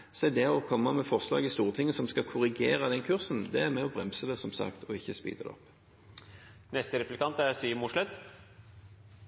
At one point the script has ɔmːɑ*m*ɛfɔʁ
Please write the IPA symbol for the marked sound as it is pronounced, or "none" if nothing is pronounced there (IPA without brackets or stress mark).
m